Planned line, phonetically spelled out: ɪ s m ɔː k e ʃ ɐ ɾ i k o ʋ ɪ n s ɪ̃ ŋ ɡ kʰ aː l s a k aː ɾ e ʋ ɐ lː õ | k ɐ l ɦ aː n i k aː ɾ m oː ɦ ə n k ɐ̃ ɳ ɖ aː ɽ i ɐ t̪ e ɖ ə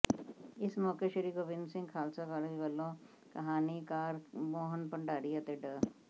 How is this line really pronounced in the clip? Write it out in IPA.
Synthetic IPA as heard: ɪ s m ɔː k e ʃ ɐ ɾ i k o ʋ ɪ n s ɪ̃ ŋ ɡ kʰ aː l s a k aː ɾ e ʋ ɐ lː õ | k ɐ ɦ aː n i k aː ɾ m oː ɦ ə n p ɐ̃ ɳ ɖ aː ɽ i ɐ t̪ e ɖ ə